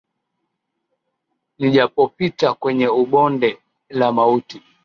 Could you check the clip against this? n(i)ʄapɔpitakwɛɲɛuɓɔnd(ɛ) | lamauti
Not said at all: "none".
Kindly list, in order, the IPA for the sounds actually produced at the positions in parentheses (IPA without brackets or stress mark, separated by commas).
i, ɛ